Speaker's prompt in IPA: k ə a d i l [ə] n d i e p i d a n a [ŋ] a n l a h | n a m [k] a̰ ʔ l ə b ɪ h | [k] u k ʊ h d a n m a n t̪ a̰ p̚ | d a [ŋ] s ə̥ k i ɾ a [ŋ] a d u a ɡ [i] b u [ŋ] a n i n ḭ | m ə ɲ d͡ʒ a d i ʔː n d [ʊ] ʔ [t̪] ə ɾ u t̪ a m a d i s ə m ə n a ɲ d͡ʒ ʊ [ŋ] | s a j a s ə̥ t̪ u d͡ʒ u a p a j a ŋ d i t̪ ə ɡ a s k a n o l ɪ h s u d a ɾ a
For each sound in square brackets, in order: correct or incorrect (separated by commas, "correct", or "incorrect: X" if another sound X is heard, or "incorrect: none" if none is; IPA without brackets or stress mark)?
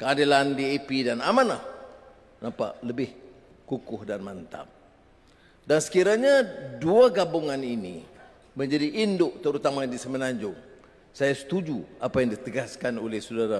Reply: incorrect: a, incorrect: m, incorrect: p, correct, incorrect: n, incorrect: ɲ, incorrect: a, correct, correct, correct, correct